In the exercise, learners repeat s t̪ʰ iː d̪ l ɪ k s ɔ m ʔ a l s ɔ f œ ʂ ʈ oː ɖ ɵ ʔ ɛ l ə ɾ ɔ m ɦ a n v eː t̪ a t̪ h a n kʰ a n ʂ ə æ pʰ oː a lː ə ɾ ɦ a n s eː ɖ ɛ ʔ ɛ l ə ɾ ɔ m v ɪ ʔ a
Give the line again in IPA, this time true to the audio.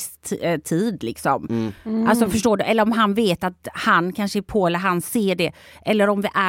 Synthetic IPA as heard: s t̪ʰ iː d̪ l ɪ k s ɔ m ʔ a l s ɔ f œ ʂ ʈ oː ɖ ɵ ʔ ɛ lː ə ɾ ɔ m ɦ a n v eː t̪ a t̪ h a n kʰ a n ʂ ə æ pʰ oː ɛ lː ə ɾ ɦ a n s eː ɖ ɛ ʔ ɛ lː ə ɾ ɔ m v ɪ ʔ æ